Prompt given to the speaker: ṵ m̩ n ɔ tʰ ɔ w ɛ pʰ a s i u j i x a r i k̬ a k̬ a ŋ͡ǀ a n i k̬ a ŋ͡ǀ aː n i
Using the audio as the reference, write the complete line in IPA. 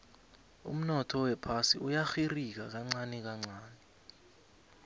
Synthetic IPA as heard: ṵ m̩ n ɔ tʰ ɔ w ɛ pʰ a s i u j a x i r i k̬ a k̬ a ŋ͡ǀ a n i k̬ a ŋ͡ǀ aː n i